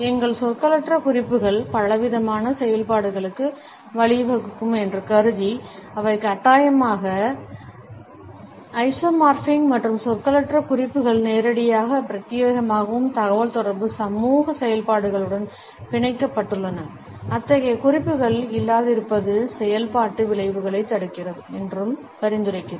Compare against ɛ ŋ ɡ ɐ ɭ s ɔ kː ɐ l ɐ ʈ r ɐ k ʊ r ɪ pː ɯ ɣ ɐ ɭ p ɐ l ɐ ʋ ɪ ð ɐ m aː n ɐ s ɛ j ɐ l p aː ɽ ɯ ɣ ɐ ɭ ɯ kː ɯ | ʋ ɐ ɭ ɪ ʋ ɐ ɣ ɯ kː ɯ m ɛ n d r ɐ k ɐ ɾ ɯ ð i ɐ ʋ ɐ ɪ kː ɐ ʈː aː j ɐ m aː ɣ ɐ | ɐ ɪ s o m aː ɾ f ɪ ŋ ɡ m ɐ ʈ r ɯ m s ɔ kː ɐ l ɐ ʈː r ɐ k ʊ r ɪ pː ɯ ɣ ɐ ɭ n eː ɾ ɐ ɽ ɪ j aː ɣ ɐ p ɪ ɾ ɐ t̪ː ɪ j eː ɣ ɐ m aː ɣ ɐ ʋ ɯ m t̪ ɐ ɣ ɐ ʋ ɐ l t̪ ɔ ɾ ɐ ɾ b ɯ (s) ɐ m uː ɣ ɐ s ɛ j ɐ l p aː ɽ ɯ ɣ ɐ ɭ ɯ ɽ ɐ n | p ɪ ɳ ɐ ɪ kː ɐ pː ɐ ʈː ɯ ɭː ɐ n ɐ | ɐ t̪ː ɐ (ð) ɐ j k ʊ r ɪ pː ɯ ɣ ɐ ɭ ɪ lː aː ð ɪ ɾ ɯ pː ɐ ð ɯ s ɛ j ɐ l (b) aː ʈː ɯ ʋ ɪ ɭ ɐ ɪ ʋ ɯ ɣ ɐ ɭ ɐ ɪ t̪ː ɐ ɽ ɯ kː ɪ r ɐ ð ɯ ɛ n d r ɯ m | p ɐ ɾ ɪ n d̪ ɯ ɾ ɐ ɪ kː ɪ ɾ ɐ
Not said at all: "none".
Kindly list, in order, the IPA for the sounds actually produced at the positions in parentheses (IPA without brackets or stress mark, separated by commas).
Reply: s, ɣ, p